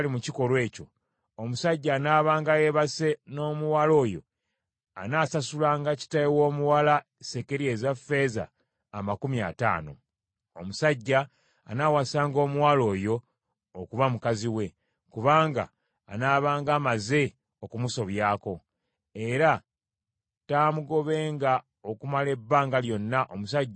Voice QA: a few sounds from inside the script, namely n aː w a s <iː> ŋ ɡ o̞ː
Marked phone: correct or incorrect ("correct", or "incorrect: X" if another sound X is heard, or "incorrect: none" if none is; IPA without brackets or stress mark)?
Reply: incorrect: aː